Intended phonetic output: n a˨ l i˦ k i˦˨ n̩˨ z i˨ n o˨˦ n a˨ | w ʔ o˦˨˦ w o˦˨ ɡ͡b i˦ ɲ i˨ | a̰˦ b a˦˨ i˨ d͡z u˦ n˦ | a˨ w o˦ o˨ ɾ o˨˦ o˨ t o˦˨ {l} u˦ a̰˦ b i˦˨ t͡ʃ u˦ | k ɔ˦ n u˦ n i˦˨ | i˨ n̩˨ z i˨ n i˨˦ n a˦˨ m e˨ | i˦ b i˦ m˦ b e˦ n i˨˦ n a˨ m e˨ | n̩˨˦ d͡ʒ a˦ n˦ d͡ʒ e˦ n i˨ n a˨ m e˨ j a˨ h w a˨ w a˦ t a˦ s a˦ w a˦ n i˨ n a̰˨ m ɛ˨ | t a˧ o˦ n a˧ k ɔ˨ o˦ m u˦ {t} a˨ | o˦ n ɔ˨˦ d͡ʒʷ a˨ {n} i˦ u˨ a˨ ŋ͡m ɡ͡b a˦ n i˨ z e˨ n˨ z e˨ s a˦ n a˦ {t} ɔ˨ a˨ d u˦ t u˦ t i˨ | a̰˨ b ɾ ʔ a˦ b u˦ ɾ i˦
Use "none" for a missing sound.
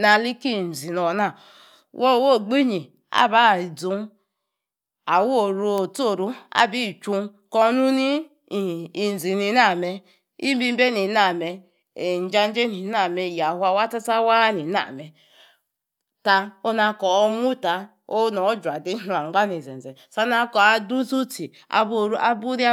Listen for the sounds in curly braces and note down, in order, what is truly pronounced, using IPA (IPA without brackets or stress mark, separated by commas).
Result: ɾ, t, d, k